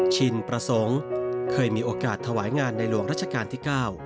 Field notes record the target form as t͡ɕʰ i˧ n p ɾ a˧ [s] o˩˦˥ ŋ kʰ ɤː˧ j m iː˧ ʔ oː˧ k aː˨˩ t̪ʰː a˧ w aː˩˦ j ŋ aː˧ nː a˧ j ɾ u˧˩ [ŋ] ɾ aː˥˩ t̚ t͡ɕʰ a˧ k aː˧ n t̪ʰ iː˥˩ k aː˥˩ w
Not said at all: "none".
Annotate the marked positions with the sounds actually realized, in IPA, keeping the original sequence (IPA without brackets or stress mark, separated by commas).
s, ŋ